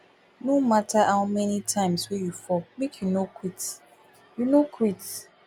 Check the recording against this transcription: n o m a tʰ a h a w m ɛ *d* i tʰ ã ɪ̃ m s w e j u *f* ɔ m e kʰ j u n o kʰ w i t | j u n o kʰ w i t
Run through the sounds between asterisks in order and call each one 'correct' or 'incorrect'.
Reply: incorrect: n, correct

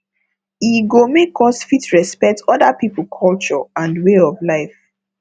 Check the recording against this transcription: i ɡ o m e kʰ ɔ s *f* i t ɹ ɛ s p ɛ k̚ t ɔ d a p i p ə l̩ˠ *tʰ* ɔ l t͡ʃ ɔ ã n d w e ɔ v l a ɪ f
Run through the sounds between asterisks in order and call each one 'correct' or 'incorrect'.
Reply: correct, incorrect: kʰ

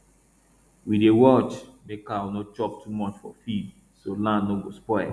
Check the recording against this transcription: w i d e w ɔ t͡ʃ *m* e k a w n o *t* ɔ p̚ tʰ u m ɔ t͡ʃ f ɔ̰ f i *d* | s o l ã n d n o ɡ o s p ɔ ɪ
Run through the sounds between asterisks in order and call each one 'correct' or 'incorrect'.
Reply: correct, incorrect: t͡ʃ, correct

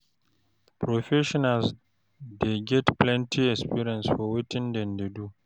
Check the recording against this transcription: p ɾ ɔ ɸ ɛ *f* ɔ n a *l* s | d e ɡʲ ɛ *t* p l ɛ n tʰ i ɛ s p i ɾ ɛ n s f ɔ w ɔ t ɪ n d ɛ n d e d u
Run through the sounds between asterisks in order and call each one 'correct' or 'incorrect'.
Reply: incorrect: ʃ, correct, correct

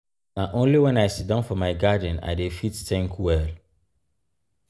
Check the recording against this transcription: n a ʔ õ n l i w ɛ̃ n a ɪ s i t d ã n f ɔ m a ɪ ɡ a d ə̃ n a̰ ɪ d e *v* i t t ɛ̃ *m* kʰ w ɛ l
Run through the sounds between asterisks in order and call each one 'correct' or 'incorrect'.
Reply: incorrect: f, incorrect: ŋ

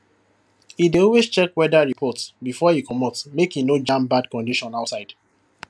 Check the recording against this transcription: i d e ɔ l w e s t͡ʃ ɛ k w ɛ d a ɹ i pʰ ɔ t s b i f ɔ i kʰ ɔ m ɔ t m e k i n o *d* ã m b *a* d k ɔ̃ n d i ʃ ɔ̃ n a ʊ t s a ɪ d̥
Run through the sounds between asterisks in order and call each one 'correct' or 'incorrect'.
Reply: incorrect: d͡ʒ, correct

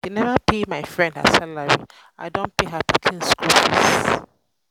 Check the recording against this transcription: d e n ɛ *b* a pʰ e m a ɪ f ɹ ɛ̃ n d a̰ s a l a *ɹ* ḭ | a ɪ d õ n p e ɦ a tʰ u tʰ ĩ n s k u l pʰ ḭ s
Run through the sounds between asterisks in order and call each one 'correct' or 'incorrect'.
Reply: incorrect: v, correct

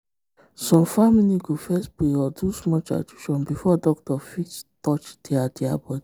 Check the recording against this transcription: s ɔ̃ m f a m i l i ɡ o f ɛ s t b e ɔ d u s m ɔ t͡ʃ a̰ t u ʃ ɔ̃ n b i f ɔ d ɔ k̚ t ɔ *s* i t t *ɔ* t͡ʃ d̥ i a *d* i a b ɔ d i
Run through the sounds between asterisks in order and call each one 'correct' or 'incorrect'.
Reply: incorrect: f, correct, correct

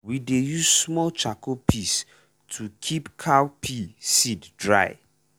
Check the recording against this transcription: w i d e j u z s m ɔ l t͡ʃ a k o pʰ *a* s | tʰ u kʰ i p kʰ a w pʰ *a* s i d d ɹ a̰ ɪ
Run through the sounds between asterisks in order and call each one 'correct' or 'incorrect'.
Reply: incorrect: i, incorrect: i

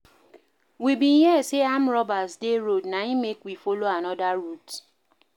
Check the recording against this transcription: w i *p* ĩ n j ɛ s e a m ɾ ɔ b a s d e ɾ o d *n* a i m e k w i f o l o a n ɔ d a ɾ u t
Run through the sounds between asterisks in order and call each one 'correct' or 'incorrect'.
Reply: incorrect: b, correct

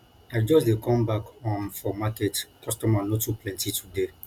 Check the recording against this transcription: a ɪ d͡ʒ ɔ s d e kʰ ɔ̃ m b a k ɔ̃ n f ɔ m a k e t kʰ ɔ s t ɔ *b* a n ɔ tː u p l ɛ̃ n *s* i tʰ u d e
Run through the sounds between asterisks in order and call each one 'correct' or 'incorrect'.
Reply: incorrect: m, incorrect: t

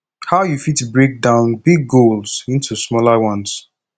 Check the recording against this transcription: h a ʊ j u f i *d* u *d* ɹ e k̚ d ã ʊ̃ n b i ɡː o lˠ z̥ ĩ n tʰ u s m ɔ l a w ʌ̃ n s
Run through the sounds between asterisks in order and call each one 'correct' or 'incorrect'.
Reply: incorrect: t, incorrect: b

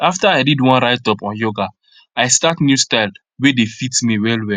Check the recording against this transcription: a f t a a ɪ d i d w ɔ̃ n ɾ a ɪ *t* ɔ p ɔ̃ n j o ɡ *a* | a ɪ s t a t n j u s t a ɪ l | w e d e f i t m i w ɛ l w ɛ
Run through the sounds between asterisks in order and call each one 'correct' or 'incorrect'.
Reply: correct, correct

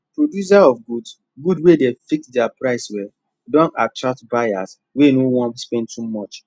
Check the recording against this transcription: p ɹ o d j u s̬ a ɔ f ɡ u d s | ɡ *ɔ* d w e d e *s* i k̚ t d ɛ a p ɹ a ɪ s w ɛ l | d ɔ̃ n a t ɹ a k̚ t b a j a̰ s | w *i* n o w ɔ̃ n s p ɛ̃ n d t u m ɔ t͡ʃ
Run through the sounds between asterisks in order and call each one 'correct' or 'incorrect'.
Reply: incorrect: u, incorrect: f, incorrect: e

